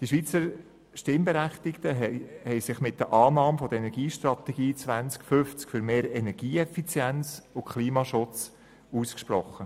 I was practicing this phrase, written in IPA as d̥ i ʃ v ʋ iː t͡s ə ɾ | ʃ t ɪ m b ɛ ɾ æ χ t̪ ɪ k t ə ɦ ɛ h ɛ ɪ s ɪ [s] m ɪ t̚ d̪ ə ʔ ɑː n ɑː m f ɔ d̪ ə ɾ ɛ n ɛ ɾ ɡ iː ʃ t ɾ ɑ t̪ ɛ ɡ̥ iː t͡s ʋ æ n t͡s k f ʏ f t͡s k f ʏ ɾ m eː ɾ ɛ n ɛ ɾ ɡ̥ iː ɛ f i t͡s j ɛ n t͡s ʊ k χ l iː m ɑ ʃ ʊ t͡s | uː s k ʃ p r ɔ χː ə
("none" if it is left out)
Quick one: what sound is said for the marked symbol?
χ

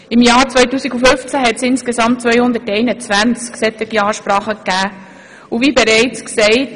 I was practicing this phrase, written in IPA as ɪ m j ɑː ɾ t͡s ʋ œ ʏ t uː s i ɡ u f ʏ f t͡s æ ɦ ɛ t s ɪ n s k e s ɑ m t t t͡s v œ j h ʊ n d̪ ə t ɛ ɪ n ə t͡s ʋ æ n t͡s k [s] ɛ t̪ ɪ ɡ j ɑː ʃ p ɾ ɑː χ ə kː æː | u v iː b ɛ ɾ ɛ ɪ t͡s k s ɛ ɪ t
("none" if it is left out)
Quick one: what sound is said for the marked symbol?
s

